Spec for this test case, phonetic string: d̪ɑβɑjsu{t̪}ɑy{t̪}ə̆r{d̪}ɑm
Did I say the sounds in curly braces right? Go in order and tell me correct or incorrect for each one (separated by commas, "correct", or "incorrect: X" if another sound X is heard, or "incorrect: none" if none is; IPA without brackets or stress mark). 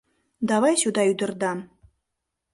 incorrect: d̪, incorrect: d̪, correct